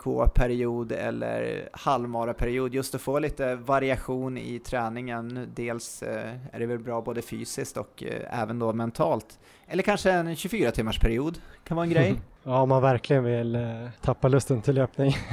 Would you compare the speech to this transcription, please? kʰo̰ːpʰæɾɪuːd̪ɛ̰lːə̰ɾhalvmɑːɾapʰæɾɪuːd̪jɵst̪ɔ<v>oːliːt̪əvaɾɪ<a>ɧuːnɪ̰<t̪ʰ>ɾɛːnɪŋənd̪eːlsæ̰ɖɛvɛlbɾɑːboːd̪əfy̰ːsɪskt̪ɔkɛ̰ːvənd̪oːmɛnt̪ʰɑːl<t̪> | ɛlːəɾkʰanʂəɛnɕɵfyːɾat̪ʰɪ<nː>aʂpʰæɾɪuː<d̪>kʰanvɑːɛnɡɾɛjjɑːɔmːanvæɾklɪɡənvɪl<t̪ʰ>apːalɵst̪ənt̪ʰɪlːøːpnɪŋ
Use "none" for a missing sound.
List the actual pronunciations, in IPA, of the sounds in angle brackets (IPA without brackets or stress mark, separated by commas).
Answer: f, a, t̪ʰ, t̪, mː, d̪, t̪ʰ